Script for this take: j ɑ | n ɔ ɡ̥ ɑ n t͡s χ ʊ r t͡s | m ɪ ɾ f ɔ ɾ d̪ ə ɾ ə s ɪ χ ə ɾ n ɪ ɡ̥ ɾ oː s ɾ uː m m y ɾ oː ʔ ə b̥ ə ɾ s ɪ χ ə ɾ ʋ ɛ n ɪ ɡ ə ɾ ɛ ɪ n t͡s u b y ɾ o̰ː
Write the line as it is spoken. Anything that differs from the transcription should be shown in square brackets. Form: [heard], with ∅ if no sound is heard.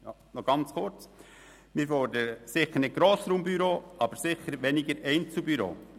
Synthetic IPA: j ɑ | n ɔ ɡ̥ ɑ n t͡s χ ʊ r t͡s | m ɪ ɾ f ɔ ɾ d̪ ə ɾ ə s ɪ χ ə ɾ n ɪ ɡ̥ ɾ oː s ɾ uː m [b] y ɾ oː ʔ [ɑ] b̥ ə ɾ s ɪ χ ə ɾ ʋ ɛ n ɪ ɡ ə ɾ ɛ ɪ n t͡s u b y ɾ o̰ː